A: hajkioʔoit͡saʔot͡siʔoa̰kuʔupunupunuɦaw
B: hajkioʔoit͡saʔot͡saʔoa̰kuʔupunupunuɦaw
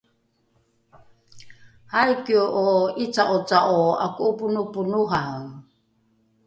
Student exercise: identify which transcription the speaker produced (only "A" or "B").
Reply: B